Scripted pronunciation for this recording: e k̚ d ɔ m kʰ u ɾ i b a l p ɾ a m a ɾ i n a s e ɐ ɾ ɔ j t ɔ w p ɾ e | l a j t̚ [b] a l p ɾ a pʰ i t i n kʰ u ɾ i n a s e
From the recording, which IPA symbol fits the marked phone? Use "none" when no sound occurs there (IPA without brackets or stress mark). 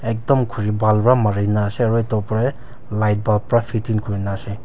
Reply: b